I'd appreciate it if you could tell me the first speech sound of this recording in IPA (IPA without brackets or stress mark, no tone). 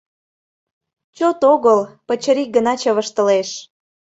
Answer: t͡ɕ